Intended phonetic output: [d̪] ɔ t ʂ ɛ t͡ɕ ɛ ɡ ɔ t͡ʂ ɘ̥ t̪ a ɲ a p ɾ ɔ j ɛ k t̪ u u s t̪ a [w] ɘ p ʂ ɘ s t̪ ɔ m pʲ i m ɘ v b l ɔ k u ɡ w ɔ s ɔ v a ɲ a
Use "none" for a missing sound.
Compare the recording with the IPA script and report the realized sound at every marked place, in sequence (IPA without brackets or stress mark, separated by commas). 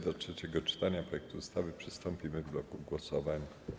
d̪, v